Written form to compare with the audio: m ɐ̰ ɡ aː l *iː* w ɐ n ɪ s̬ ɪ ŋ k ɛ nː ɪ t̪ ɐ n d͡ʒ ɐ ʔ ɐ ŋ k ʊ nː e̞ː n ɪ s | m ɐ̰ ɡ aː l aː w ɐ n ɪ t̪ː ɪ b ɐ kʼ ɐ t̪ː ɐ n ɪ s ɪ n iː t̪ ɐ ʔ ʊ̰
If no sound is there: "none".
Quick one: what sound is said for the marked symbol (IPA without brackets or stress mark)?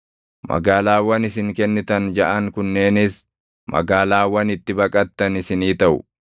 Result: aː